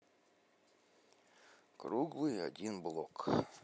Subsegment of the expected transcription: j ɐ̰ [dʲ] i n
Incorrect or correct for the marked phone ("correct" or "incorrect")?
correct